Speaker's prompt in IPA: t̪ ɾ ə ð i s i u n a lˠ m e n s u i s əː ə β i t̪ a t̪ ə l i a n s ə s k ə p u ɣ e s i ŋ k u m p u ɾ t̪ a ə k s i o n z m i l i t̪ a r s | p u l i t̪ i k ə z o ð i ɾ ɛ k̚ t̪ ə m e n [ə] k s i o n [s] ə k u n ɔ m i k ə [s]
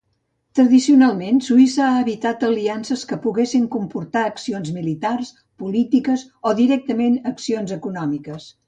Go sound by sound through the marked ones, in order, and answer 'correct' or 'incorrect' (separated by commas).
correct, incorrect, correct